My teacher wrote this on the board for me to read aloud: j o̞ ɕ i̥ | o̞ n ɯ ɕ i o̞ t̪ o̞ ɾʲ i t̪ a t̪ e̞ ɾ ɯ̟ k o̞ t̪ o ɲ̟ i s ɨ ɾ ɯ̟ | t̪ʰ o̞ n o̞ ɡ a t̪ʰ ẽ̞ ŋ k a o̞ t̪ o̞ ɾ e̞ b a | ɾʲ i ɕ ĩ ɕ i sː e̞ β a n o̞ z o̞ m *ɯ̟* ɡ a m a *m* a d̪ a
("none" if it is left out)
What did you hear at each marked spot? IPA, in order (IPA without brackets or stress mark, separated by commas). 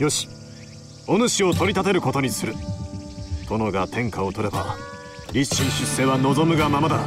ɯ̟, m